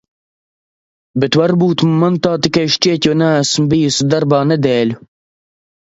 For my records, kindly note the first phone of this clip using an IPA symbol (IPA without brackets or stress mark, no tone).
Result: b